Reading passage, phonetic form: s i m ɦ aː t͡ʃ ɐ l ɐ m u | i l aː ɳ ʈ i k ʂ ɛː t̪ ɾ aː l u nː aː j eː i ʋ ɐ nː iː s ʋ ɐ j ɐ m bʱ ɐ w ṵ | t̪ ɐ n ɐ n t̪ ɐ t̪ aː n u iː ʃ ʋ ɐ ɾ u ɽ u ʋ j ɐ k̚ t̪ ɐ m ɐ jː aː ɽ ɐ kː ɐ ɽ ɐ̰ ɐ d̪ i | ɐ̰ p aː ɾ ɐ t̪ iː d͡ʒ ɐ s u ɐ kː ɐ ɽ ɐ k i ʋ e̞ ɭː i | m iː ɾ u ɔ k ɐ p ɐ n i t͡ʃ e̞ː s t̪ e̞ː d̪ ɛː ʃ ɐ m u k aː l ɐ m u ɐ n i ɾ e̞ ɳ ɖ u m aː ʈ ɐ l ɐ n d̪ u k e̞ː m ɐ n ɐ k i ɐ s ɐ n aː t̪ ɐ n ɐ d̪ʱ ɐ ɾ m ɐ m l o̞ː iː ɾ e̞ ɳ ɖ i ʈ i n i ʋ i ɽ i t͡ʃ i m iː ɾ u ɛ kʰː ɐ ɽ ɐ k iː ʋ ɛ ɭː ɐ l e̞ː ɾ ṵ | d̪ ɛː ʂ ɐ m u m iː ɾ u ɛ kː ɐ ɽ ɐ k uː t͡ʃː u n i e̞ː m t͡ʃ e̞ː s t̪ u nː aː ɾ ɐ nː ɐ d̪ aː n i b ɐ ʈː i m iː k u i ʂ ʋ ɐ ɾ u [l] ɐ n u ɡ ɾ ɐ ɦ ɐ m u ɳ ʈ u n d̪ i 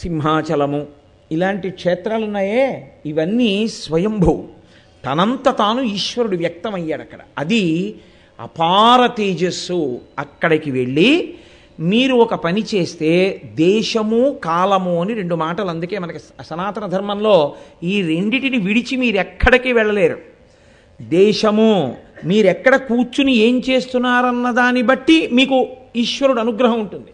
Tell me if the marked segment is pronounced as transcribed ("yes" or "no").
no